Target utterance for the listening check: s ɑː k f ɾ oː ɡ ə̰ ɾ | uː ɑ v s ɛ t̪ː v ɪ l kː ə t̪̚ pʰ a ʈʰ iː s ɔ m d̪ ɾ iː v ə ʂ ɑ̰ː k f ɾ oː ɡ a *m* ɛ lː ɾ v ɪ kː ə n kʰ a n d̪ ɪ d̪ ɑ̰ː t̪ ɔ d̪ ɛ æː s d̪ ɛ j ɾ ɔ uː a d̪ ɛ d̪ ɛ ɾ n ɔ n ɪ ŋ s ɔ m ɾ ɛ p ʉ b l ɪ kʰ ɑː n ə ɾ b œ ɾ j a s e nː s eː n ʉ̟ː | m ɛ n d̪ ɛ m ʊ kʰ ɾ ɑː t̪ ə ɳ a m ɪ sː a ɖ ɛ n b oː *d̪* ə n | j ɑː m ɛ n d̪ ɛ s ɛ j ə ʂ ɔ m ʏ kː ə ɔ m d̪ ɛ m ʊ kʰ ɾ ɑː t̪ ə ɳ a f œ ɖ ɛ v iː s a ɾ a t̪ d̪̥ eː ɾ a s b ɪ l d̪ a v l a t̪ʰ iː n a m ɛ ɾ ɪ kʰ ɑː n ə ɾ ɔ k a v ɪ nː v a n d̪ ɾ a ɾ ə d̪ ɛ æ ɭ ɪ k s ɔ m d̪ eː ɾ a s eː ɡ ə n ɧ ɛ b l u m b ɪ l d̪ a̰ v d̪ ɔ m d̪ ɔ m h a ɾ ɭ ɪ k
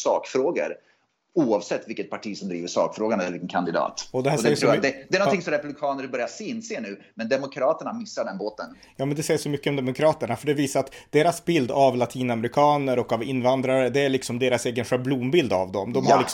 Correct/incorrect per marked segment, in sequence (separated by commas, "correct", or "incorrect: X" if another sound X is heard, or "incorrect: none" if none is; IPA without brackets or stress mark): incorrect: n, incorrect: t̪